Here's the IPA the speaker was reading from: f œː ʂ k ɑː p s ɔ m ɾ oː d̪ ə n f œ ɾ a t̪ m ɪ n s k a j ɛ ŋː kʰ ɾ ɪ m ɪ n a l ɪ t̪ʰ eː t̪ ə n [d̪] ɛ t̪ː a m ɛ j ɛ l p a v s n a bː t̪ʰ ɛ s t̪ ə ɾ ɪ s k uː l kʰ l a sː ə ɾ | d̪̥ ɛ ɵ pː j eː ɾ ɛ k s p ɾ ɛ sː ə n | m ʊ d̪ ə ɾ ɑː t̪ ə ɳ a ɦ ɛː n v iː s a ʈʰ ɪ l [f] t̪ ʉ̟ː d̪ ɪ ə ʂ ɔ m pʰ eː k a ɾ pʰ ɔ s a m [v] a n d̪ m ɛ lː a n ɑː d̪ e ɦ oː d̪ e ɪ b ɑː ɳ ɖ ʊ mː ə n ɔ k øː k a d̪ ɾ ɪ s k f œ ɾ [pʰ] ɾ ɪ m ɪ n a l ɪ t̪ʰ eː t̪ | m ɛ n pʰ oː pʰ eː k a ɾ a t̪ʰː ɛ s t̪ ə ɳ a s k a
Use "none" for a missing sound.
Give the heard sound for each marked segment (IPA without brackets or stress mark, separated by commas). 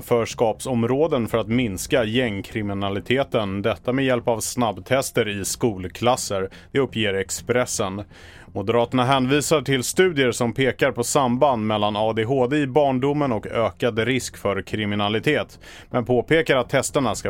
d̪, s, b, kʰ